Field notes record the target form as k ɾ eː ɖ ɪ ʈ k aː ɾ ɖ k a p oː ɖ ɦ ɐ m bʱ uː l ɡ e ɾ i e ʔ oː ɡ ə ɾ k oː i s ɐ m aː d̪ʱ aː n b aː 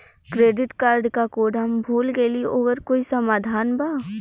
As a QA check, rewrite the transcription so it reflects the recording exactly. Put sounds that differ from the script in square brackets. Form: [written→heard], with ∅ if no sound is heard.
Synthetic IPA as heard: k ɾ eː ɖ ɪ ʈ k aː ɾ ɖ k a [p→k] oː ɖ ɦ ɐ m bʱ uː l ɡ e [ɾ→l] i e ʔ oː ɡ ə ɾ k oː i s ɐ m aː d̪ʱ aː n b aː